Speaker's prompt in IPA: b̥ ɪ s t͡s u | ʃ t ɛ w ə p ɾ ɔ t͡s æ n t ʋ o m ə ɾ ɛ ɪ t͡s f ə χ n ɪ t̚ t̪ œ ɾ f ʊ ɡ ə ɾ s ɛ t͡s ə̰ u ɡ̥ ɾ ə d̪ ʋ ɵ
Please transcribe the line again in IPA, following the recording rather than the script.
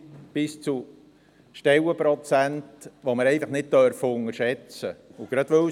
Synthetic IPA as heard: b̥ ɪ s t͡s u | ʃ t ɛ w ə p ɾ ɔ t͡s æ n t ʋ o m ə ɾ ɛ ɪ f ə χ n ɪ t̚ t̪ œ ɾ f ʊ ŋ ə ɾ ʃ ɛ t͡s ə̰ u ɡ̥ ɾ ɑ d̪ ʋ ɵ